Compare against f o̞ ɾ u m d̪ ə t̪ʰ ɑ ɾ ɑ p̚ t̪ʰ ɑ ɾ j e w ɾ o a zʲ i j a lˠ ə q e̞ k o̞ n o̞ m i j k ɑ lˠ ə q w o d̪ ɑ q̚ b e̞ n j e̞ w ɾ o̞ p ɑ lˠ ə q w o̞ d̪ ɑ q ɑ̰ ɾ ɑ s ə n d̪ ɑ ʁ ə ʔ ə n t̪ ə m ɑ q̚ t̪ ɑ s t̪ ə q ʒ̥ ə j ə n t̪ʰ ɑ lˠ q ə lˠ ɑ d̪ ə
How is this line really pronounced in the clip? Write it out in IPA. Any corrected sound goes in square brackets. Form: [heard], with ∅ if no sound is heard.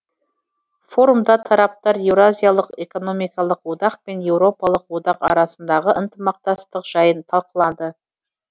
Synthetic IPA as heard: f o̞ ɾ u m d̪ [ɑ] t̪ʰ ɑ ɾ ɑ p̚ [t̪] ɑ ɾ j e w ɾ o a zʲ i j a lˠ ə q e̞ k o̞ n o̞ m i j k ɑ lˠ ə q w o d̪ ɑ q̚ [p] e̞ n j e̞ w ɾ o̞ p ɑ lˠ ə q w o̞ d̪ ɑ q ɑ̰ ɾ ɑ s ə n d̪ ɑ ʁ ə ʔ ə n t̪ ə m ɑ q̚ t̪ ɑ s t̪ ə q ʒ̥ [ɑ] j ə n t̪ʰ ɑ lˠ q ə lˠ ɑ d̪ ə

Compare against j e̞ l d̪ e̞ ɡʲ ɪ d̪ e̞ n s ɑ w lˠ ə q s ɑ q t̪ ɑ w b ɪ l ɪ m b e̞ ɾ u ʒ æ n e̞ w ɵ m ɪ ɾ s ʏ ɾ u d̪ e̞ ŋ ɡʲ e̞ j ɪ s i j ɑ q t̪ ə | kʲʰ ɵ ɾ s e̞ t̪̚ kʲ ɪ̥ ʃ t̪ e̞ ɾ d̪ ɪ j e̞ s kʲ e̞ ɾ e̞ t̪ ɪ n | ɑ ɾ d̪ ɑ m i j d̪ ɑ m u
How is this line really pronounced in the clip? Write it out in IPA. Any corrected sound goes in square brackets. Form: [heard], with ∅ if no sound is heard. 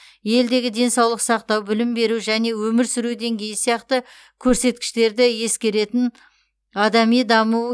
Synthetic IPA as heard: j e̞ l d̪ e̞ ɡʲ ɪ d̪ e̞ n s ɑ w lˠ ə q s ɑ q t̪ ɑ w b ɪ l ɪ m b e̞ ɾ u ʒ æ n e̞ w ɵ m ɪ ɾ s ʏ ɾ u d̪ e̞ ŋ ɡʲ e̞ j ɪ s i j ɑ q t̪ ə | kʲʰ ɵ ɾ s e̞ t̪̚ kʲ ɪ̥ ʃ t̪ e̞ ɾ d̪ ɪ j e̞ s kʲ e̞ ɾ e̞ t̪ ɪ n | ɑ [∅] d̪ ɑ m i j d̪ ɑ m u

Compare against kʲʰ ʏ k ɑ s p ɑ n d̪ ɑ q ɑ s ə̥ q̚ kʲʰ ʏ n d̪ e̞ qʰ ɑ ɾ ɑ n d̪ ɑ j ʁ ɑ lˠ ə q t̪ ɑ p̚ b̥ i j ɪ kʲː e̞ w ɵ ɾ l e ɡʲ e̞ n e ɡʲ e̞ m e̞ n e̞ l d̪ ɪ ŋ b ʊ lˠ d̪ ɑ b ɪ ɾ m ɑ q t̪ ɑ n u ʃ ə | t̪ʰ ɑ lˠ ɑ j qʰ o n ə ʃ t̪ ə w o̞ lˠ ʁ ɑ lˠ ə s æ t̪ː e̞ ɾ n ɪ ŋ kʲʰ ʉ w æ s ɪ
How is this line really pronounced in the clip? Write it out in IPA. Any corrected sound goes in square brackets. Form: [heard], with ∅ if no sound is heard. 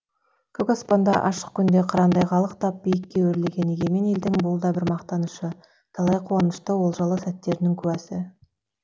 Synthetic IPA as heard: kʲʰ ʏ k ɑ s p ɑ n d̪ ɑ [ʔ] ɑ [ʃ] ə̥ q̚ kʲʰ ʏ n d̪ e̞ qʰ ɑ ɾ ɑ n d̪ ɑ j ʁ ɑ lˠ ə q t̪ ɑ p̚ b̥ i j ɪ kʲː e̞ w ɵ ɾ l e ɡʲ e̞ n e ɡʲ e̞ m e̞ n e̞ l d̪ ɪ ŋ b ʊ lˠ d̪ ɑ b ɪ ɾ m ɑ q t̪ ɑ n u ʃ ə | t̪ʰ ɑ lˠ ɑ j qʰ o n ə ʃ t̪ ə w o̞ lˠ [ʒ] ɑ lˠ ə s æ t̪ː e̞ ɾ n ɪ ŋ kʲʰ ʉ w æ s ɪ

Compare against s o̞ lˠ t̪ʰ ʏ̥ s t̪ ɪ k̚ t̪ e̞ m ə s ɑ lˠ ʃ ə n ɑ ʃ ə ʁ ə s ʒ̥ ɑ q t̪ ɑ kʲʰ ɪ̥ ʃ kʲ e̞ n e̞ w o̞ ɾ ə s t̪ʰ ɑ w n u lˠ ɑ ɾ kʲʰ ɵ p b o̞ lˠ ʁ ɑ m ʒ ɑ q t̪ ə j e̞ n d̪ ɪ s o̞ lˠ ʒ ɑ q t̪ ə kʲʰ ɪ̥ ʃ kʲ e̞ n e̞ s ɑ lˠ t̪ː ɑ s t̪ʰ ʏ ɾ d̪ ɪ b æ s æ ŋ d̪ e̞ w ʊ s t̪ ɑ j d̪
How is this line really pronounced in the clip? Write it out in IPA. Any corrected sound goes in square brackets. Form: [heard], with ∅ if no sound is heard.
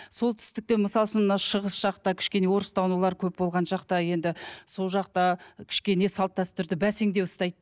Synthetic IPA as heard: s o̞ lˠ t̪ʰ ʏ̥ s t̪ ɪ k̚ t̪ e̞ m ə s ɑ lˠ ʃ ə n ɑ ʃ ə ʁ ə s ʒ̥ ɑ q t̪ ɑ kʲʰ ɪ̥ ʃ kʲ e̞ n e̞ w o̞ ɾ ə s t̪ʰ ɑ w n u lˠ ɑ ɾ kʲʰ ɵ p b o̞ lˠ ʁ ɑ [n] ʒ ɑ q t̪ [ɑ] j e̞ n d̪ ɪ s o̞ lˠ ʒ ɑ q t̪ [ɑ] kʲʰ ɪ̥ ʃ kʲ e̞ n e̞ s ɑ lˠ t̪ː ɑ s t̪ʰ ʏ ɾ d̪ ɪ b æ s [e] ŋ d̪ e̞ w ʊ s t̪ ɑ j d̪

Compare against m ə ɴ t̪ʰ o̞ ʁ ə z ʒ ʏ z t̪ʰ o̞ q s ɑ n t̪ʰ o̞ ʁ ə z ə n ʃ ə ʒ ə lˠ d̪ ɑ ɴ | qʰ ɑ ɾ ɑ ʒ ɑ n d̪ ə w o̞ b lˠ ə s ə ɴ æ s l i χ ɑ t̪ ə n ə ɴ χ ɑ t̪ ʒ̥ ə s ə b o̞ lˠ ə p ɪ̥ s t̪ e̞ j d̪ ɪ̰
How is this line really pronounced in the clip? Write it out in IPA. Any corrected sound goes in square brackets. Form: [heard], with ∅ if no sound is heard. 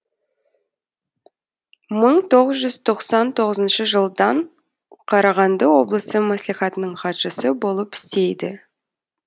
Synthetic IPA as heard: m ə ɴ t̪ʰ o̞ ʁ ə z ʒ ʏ z t̪ʰ o̞ q s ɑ n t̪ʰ o̞ ʁ ə z ə n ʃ ə ʒ ə lˠ d̪ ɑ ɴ | qʰ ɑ ɾ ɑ [ʁ] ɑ n d̪ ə w o̞ b lˠ ə s ə [m] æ s l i χ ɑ t̪ ə n ə ɴ χ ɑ t̪ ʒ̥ ə s ə b o̞ lˠ ə p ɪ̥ s t̪ e̞ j d̪ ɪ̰

